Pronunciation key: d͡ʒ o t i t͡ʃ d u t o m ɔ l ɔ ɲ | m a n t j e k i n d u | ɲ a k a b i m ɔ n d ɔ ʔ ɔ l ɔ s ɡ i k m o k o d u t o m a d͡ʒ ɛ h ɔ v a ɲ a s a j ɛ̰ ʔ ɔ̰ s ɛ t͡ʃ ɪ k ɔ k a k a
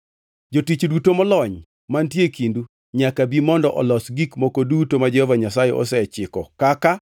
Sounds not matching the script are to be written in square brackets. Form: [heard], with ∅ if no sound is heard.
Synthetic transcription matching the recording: d͡ʒ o t i t͡ʃ d u t o m ɔ l ɔ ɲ | m a n t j e k i n d u | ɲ a k a b i m ɔ n d ɔ ʔ ɔ l ɔ s ɡ i k m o k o d u t o m a d͡ʒ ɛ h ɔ v a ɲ a s a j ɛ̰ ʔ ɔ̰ s ɛ t͡ʃ ɪ k ɔ k a k a